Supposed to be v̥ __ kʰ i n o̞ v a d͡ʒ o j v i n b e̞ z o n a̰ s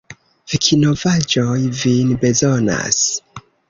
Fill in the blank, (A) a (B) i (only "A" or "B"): B